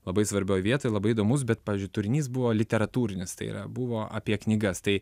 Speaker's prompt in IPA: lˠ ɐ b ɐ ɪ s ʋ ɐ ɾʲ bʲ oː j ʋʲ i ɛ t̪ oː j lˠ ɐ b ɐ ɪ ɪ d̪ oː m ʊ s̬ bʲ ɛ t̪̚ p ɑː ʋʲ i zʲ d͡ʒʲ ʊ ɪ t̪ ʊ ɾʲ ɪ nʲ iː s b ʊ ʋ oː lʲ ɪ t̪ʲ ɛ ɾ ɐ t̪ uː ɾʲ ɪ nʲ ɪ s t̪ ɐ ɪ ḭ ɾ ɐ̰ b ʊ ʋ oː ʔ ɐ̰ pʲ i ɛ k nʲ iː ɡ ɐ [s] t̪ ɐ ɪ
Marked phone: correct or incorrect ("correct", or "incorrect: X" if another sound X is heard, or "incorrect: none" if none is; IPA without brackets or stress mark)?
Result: correct